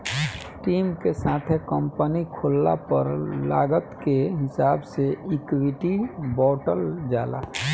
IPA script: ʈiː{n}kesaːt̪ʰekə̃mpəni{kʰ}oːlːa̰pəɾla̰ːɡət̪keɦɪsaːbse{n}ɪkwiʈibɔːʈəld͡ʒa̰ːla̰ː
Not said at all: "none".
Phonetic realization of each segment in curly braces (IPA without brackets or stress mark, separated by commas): m, kʰ, none